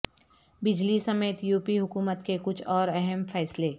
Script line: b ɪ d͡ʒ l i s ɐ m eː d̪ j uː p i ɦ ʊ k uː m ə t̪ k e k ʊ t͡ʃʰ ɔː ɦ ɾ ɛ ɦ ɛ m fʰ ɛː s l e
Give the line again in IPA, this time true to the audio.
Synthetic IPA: b ɪ d͡ʒ l i s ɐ m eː t̪ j uː p i ɦ ʊ k uː m ə t̪ k e k ʊ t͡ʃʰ ɔː ɾ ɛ ɦ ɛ m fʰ ɛː s l e